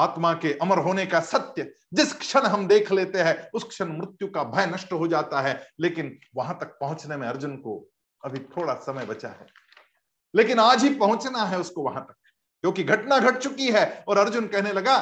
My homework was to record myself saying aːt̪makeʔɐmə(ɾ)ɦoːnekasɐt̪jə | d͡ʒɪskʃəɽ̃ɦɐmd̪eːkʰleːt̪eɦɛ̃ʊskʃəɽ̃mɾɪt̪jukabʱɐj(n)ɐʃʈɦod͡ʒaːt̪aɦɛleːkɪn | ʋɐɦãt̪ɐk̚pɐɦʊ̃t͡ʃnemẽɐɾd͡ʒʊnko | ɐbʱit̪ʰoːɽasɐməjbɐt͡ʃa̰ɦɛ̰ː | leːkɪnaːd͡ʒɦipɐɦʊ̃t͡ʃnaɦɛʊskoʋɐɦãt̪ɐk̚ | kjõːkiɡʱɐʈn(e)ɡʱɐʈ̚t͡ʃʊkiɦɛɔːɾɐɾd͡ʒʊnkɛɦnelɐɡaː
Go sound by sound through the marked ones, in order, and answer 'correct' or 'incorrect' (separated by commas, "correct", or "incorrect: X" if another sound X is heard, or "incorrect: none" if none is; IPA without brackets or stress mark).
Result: correct, correct, incorrect: a